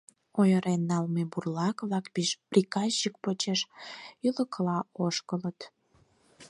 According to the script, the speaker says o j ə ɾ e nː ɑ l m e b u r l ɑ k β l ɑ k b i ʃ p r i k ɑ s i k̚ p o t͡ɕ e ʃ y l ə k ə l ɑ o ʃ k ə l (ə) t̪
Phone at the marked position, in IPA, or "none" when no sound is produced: ə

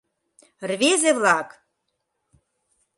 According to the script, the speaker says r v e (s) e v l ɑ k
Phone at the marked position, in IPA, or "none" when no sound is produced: z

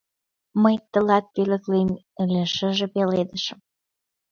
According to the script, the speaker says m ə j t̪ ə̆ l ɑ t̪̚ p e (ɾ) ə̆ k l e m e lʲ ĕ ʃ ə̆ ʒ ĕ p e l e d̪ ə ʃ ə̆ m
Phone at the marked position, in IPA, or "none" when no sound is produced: l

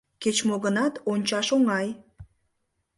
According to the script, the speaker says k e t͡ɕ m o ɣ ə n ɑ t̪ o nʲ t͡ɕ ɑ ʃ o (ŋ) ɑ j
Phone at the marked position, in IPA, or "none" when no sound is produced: ŋ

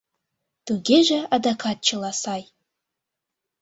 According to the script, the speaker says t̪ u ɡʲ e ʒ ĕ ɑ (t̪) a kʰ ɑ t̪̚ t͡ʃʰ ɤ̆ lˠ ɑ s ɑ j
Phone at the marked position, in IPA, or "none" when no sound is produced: d̪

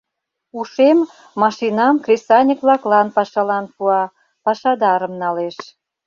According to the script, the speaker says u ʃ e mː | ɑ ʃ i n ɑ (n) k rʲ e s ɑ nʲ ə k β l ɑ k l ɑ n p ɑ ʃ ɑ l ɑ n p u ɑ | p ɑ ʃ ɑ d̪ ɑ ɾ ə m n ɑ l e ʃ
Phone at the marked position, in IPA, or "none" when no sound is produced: m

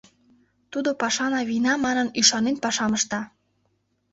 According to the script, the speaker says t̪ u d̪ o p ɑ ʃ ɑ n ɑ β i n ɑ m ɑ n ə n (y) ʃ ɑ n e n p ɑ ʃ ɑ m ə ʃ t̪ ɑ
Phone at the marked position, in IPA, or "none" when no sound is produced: y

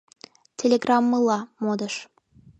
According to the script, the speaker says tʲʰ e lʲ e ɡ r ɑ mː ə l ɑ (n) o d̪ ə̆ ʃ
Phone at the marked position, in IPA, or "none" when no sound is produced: m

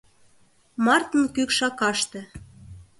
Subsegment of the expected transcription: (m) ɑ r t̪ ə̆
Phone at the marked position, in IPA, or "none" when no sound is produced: m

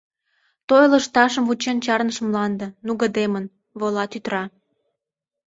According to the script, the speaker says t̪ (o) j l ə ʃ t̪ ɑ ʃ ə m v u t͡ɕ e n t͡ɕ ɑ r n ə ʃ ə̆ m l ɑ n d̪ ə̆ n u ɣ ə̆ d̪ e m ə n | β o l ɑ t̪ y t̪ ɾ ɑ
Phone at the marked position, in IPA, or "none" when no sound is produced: o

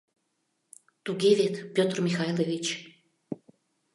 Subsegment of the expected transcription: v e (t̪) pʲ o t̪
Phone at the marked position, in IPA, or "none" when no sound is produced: t̪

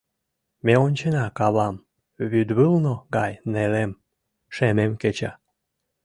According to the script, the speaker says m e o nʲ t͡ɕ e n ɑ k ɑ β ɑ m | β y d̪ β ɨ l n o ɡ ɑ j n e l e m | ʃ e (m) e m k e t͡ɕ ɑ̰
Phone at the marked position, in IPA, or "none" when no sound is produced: m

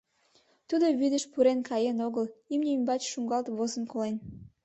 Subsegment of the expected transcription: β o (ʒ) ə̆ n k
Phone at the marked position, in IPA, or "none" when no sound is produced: z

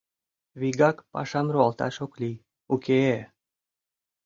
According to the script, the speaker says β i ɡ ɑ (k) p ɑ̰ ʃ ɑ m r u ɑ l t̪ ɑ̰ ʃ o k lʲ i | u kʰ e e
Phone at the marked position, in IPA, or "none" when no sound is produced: k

